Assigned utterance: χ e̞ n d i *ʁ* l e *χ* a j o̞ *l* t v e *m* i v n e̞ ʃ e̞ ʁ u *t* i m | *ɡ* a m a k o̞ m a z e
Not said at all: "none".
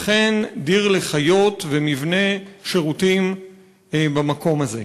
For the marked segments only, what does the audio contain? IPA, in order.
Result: ʁ, χ, none, m, t, b

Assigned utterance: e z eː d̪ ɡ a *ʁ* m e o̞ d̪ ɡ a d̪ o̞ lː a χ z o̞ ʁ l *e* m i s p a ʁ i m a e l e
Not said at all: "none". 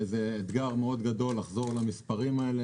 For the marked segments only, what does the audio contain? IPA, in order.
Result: ʁ, a

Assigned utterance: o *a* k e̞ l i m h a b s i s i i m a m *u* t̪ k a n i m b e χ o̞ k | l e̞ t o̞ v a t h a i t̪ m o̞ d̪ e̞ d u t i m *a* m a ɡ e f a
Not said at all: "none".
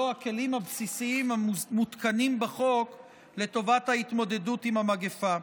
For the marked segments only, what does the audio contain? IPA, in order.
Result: a, u, a

